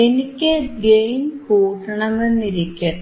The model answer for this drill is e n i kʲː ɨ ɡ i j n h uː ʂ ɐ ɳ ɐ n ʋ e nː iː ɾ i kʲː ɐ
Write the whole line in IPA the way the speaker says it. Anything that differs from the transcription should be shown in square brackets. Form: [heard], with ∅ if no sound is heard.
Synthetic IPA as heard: e n i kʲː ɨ ɡ [e] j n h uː ʂ ɐ ɳ ɐ [m] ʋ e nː [i] ɾ i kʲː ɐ

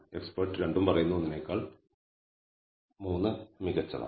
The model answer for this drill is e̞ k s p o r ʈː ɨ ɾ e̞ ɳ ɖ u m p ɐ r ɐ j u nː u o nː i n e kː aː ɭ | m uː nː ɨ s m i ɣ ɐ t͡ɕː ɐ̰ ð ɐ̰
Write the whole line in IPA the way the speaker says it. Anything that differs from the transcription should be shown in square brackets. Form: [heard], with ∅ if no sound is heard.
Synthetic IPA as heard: e̞ k s p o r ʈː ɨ ɾ e̞ ɳ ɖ u m p ɐ r ɐ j u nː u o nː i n e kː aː ɭ | m uː nː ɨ [∅] m i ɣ ɐ t͡ɕː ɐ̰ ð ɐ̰

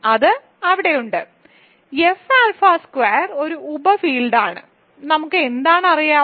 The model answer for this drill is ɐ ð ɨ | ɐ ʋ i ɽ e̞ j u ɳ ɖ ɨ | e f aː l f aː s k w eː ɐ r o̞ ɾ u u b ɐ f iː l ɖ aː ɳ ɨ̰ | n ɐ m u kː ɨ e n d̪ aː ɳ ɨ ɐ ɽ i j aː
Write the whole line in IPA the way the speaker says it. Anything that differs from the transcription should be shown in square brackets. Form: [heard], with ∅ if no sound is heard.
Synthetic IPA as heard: ɐ ð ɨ | ɐ ʋ i ɽ e̞ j u ɳ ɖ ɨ | e f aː l f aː s k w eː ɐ r o̞ ɾ u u b ɐ f iː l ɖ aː ɳ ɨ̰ | n ɐ m u kː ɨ e n d̪ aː ɳ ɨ ɐ [r] i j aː

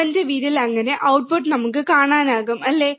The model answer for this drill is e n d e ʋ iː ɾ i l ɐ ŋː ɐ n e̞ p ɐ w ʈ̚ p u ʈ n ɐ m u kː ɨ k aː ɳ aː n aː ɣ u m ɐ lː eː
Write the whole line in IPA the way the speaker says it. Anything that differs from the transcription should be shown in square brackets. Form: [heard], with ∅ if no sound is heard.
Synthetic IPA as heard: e n d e ʋ iː ɾ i l ɐ ŋː ɐ n e̞ [ʔ] ɐ w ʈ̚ p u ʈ n ɐ m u kː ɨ k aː ɳ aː n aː ɣ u m ɐ lː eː

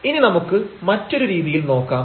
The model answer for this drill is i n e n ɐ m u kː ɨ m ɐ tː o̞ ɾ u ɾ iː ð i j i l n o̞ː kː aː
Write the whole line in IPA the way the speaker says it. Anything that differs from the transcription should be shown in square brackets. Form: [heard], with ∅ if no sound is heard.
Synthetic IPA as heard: i n [i] n ɐ m u kː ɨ m ɐ tː o̞ ɾ u ɾ iː ð i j i l n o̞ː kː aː

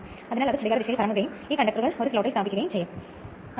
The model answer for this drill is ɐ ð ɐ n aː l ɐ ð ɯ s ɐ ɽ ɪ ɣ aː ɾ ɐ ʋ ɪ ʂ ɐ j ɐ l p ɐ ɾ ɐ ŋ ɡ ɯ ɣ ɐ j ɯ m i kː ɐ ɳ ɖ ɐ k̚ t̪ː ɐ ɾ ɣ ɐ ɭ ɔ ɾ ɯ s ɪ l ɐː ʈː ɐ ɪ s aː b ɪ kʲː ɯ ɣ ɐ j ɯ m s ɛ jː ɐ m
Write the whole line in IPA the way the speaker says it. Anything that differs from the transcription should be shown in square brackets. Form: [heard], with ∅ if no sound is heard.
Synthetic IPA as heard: ɐ ð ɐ n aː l ɐ ð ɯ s ɐ ɽ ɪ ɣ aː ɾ ɐ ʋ ɪ ʂ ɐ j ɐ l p ɐ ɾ ɐ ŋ ɡ ɯ ɣ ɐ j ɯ m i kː ɐ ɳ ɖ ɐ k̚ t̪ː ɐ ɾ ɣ ɐ ɭ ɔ ɾ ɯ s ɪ l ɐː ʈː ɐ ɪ s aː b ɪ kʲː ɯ ɣ ɐ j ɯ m s ɛ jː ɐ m

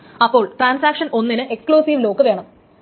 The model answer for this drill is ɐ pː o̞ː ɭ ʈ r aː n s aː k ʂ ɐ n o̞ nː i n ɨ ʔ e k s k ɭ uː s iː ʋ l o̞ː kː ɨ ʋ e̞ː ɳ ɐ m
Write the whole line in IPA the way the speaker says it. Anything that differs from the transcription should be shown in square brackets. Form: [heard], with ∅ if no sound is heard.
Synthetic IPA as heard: ɐ pː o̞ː ɭ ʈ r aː n s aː k ʂ ɐ n o̞ nː i n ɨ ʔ e k s k ɭ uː s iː ʋ l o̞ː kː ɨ ʋ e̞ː ɳ ɐ m

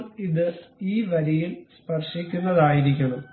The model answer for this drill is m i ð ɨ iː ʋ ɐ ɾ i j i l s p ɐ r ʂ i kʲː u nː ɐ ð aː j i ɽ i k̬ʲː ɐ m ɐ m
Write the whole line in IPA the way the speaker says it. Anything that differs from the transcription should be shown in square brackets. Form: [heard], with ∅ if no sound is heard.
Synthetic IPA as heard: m i ð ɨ iː ʋ ɐ ɾ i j i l s p ɐ r ʂ i kʲː u nː ɐ ð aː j i [ɾ] i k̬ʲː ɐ [ɳ] ɐ m

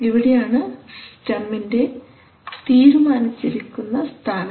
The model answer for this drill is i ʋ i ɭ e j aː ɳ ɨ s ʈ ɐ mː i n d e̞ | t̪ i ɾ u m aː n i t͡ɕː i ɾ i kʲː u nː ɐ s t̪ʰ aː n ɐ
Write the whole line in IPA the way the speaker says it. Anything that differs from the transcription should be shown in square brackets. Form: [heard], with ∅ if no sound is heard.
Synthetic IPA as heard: i ʋ i [ɽ] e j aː ɳ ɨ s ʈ ɐ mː i n d e̞ | t̪ [iː] ɾ u m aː n i t͡ɕː i ɾ i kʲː u nː ɐ s t̪ʰ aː n ɐ

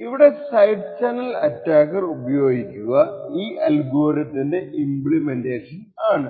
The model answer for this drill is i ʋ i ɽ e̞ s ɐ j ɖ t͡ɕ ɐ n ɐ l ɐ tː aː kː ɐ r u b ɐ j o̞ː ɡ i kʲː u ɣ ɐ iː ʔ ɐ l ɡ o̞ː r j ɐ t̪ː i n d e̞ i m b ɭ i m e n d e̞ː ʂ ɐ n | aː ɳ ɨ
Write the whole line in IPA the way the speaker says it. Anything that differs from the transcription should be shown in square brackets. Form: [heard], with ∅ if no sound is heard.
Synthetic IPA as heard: i ʋ i ɽ e̞ s ɐ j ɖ t͡ɕ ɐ n ɐ l ɐ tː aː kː ɐ r u b ɐ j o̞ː ɡ i kʲː u ɣ ɐ iː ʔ ɐ l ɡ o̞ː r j ɐ t̪ː i n d e̞ i m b ɭ i m e n d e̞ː ʂ ɐ n | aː ɳ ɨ

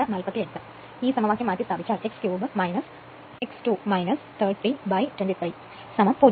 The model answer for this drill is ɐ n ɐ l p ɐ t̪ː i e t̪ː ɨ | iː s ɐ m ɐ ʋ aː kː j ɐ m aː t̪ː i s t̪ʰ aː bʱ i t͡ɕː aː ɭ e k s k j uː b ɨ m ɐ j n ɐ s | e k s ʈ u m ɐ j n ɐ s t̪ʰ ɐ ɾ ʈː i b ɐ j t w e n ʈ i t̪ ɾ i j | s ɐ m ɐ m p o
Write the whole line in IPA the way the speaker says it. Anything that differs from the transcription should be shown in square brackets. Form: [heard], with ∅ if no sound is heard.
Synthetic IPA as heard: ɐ n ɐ l p ɐ t̪ː i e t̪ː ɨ | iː s ɐ m ɐ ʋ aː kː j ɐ m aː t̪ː i s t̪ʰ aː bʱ i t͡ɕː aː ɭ e k s k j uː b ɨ m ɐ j n ɐ s | e k s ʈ u m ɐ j n ɐ s t̪ʰ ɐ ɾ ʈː i b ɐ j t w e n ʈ i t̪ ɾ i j | s ɐ m ɐ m p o

